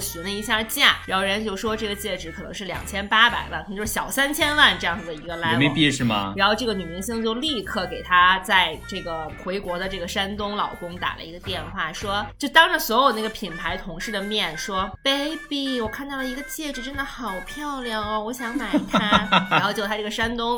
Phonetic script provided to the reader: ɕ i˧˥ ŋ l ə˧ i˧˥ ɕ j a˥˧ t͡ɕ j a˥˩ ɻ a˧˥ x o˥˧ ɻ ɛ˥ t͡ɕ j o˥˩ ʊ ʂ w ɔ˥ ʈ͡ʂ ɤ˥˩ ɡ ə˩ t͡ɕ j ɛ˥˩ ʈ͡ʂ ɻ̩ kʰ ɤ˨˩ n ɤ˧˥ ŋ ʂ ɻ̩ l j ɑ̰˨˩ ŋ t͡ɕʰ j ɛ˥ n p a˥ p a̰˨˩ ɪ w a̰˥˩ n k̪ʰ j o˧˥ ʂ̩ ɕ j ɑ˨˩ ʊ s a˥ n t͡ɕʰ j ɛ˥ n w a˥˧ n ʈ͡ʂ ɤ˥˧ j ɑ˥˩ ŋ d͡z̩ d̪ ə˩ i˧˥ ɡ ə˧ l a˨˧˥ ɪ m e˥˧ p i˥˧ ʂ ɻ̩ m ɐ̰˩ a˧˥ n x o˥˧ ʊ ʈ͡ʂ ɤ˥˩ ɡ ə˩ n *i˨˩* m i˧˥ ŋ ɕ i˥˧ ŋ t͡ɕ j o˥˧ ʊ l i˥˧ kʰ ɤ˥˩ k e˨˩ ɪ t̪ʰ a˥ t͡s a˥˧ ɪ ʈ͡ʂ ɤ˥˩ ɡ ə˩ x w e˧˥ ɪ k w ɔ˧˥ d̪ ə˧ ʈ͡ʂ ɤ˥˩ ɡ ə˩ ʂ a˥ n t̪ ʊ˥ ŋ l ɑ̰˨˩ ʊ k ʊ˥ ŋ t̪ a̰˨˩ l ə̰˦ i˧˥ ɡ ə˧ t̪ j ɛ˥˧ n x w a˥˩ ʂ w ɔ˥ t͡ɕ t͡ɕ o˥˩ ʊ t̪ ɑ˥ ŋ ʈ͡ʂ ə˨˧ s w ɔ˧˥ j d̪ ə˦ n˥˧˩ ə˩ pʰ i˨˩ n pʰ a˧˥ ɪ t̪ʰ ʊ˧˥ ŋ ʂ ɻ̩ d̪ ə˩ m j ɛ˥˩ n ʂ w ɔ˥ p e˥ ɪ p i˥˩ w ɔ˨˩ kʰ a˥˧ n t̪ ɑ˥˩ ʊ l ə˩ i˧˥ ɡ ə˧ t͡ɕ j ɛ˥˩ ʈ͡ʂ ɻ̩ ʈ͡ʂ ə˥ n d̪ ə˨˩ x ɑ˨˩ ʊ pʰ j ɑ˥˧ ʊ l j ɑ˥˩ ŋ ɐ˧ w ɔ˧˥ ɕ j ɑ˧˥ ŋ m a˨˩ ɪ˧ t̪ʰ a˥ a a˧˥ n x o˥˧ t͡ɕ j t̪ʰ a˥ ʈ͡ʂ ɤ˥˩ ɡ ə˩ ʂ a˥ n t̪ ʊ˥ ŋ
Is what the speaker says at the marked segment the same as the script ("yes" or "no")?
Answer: no